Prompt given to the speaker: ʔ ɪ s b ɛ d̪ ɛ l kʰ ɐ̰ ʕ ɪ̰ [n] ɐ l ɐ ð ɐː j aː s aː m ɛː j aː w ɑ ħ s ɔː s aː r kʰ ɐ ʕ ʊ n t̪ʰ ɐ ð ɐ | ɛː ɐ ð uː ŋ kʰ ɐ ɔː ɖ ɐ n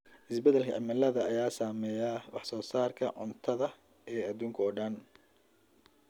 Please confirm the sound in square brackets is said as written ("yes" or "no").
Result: no